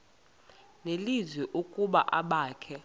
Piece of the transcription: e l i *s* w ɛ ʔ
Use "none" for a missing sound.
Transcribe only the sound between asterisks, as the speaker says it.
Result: z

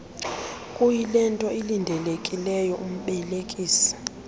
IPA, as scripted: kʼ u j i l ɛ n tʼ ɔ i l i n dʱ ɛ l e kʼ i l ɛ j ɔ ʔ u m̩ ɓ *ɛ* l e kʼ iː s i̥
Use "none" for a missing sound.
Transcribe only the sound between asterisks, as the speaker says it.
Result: ɛ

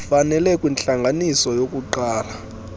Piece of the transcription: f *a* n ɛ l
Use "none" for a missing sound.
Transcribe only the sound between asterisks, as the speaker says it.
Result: a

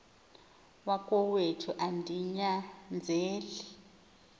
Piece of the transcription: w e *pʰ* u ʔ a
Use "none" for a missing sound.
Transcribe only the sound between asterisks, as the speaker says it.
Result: tʰ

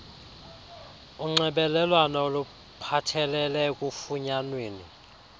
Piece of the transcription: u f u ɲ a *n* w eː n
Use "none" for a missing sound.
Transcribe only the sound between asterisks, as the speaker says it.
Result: n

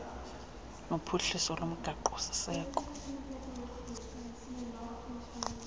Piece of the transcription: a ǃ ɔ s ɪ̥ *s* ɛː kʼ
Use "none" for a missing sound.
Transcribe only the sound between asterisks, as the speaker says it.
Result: s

